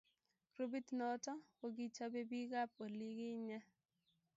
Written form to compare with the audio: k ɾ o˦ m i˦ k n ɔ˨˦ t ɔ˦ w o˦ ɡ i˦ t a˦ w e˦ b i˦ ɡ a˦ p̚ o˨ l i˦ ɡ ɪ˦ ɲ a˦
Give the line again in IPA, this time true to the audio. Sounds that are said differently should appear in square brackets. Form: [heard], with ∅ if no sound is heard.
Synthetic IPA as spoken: k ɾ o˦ [b] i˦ [t] n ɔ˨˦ t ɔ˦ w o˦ ɡ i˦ [t͡ʃ] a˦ [b] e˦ b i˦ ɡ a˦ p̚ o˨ l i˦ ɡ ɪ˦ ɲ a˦